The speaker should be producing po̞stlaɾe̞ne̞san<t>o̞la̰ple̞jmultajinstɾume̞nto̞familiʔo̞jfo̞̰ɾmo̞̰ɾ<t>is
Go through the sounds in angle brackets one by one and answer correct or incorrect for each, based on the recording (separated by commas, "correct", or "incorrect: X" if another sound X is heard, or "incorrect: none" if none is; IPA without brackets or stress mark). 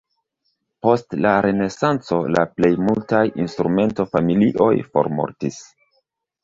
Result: incorrect: t͡s, correct